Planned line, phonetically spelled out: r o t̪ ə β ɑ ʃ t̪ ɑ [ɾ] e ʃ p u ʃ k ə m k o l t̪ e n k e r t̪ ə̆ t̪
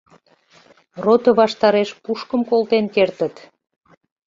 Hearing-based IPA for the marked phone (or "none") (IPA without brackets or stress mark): ɾ